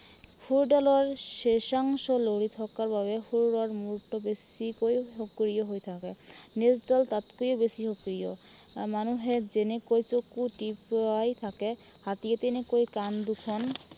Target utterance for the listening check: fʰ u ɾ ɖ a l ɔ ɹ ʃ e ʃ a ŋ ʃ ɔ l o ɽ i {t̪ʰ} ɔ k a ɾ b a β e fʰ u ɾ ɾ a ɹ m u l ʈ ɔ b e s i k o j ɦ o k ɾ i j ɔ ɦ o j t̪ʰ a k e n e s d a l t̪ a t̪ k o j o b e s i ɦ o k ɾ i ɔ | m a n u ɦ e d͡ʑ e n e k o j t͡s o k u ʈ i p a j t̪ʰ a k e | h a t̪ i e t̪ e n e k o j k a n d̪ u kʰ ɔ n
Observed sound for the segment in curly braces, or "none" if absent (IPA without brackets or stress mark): t̪ʰ